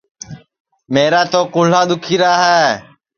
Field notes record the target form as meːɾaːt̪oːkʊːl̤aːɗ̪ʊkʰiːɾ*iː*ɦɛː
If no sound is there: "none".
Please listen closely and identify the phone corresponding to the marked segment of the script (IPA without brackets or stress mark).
aː